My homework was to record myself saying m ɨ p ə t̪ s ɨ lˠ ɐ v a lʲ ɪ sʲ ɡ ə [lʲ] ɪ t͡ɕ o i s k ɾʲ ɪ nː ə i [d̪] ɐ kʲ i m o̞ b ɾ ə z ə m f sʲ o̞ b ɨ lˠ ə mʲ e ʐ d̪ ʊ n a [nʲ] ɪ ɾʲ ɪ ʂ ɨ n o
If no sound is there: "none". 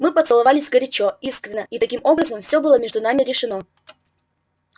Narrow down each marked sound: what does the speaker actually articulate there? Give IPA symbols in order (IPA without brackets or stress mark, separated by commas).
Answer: ɾʲ, t̪, mʲ